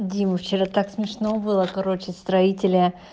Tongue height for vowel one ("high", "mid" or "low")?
high